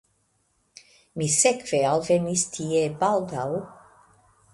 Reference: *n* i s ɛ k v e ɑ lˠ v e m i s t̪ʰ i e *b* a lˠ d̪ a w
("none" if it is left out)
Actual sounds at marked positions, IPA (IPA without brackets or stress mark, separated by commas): m, b